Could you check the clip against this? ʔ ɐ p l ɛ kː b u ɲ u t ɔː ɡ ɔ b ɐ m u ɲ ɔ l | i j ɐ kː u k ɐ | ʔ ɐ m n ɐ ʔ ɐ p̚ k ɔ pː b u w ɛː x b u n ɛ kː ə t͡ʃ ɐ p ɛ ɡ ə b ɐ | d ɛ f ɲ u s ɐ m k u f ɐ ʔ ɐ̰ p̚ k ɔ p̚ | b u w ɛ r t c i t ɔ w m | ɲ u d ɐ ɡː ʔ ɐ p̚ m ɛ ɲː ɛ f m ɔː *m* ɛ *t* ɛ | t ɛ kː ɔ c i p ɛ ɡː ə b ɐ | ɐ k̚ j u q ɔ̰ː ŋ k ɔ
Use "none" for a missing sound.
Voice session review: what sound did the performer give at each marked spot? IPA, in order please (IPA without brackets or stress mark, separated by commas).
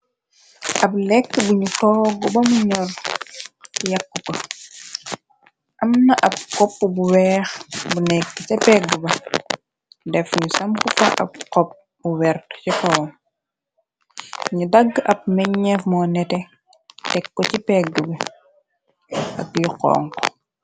n, t